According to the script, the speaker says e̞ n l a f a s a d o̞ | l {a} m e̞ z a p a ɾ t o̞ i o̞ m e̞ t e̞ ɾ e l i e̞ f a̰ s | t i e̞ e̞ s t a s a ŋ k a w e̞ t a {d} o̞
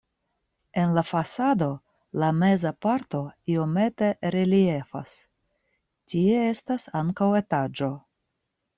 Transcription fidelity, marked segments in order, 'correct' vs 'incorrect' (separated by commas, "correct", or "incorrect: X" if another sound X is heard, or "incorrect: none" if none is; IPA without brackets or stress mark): correct, incorrect: d͡ʒ